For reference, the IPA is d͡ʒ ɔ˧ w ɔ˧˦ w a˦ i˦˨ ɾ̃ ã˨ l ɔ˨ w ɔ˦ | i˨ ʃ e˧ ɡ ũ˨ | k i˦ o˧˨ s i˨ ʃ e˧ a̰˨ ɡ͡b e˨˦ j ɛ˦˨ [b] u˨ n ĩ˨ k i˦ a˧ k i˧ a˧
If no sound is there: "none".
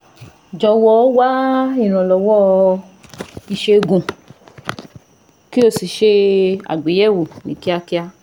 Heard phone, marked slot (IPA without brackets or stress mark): w